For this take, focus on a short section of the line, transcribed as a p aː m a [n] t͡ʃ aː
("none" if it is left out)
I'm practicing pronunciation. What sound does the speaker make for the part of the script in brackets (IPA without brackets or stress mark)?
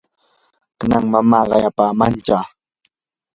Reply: n